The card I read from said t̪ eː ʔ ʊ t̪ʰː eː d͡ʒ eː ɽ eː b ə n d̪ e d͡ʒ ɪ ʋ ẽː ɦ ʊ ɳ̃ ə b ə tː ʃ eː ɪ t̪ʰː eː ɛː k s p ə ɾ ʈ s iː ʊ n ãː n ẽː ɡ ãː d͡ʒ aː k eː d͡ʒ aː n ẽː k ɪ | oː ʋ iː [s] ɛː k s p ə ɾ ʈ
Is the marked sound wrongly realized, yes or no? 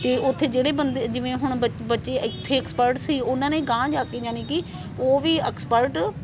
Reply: yes